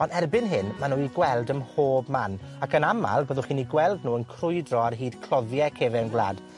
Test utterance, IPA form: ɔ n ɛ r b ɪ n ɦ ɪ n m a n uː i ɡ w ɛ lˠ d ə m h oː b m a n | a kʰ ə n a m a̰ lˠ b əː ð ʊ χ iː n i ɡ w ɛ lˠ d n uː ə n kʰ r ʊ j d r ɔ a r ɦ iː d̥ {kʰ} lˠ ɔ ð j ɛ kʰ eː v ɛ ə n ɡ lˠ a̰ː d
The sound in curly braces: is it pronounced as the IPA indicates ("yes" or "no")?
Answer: yes